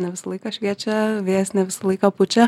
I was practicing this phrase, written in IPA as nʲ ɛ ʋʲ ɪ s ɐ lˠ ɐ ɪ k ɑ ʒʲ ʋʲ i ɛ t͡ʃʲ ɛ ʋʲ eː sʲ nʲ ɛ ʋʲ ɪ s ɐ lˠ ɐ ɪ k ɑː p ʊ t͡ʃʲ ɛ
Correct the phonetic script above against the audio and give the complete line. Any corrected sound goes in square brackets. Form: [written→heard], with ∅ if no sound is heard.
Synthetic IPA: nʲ ɛ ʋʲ ɪ s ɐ lˠ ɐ ɪ k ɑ [ʒʲ→ʃʲ] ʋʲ i ɛ t͡ʃʲ ɛ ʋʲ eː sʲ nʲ ɛ ʋʲ ɪ s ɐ lˠ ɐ ɪ k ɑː p ʊ t͡ʃʲ ɛ